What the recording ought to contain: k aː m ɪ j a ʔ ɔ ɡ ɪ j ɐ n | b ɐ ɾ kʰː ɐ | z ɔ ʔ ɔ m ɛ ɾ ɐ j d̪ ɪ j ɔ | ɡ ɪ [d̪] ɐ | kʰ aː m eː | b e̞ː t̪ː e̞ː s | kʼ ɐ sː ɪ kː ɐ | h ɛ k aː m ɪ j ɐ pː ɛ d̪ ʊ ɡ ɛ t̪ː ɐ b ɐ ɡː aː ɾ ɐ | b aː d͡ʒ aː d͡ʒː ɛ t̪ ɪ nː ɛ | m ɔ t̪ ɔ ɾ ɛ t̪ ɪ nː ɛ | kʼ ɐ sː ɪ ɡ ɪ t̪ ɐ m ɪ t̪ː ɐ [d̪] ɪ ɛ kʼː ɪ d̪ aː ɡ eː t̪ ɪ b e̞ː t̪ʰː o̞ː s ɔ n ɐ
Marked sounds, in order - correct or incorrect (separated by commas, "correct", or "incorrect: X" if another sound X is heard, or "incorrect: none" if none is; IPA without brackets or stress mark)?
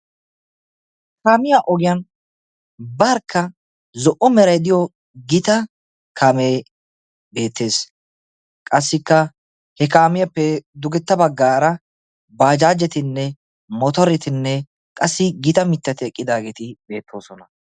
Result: incorrect: t̪, incorrect: t̪